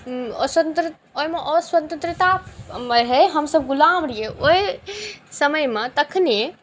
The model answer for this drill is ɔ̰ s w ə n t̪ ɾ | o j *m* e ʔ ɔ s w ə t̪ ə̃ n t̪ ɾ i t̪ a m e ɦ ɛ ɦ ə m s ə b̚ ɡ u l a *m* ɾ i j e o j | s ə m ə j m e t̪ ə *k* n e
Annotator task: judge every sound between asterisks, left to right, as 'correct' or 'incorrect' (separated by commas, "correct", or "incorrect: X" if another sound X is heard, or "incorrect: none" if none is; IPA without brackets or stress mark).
correct, correct, incorrect: kʰ